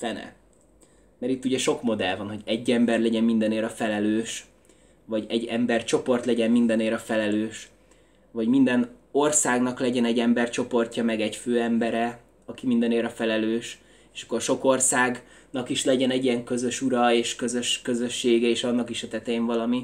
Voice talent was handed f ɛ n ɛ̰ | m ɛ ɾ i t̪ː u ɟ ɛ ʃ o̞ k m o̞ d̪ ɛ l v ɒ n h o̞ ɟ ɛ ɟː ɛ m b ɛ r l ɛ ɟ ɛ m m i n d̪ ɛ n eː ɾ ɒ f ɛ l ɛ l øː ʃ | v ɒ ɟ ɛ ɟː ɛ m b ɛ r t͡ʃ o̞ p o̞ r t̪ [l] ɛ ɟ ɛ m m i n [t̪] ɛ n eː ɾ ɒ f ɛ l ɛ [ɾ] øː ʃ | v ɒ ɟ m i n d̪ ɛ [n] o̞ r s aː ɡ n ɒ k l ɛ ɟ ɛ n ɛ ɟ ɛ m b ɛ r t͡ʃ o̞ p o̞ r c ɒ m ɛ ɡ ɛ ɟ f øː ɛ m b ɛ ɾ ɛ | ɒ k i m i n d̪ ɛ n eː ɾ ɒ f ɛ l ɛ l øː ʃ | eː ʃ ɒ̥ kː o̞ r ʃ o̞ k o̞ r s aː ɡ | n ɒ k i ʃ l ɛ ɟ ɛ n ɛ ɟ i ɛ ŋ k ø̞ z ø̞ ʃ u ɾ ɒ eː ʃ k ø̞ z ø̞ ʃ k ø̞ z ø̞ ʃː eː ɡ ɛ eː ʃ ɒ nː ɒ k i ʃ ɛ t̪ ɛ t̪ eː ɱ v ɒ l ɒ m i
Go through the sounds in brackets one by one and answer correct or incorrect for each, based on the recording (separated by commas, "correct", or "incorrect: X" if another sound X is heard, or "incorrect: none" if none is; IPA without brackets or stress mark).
correct, incorrect: d̪, incorrect: l, correct